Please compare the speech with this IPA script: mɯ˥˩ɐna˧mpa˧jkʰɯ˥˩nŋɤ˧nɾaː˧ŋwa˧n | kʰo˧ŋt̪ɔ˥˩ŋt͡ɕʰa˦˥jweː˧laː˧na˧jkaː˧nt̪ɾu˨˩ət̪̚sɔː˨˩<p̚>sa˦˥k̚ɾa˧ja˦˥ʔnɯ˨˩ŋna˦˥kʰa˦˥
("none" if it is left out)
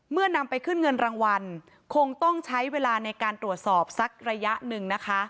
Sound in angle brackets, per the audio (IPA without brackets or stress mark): p̚